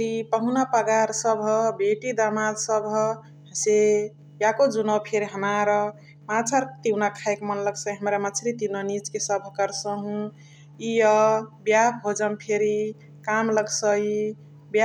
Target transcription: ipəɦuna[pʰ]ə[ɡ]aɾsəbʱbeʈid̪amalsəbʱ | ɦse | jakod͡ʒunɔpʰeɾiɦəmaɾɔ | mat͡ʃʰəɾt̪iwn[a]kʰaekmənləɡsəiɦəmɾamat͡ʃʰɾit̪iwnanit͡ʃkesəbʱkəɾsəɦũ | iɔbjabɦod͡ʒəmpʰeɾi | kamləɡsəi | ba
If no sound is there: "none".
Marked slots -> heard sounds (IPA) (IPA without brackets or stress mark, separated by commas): p, ɡ, a